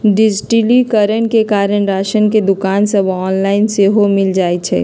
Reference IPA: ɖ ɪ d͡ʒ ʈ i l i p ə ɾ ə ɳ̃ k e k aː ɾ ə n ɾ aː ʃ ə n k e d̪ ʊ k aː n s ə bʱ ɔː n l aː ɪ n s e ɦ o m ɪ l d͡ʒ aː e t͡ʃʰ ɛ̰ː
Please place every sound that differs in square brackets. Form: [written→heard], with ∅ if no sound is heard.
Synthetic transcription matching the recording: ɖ ɪ d͡ʒ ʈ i l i [p→k] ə ɾ ə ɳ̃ k e k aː ɾ ə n ɾ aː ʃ ə n k e d̪ ʊ k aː n s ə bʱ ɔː n l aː ɪ n s e ɦ o m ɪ l d͡ʒ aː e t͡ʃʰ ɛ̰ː